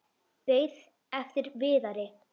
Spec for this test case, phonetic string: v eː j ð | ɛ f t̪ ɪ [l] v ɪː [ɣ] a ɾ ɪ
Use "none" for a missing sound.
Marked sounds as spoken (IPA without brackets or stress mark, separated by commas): ɾ, ð